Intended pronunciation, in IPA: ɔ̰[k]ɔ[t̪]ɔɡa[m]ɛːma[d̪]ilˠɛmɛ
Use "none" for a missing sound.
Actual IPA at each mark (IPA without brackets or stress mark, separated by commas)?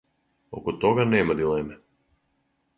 k, t̪, n, d̪